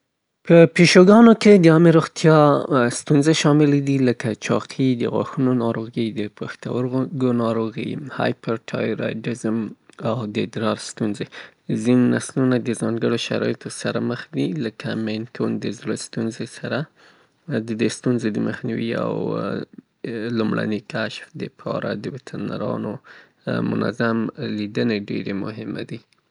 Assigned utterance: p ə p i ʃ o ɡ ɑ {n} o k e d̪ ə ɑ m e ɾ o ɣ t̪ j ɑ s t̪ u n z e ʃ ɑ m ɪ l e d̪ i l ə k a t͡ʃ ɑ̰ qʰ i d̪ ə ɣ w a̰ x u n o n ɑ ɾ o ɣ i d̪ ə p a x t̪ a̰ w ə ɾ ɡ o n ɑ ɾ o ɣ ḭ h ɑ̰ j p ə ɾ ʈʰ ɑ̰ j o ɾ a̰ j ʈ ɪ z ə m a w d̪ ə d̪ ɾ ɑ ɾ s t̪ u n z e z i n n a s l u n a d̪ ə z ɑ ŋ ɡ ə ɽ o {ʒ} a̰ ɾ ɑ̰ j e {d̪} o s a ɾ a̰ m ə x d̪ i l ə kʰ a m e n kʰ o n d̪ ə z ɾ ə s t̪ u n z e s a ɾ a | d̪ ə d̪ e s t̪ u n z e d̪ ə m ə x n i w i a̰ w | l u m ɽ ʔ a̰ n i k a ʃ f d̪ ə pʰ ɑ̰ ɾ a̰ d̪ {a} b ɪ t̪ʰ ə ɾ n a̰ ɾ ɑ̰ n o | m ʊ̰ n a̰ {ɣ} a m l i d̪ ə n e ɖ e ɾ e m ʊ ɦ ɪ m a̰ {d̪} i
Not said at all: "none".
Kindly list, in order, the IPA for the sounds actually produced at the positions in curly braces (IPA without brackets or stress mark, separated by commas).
n, ʃ, t̪, ə, z, d̪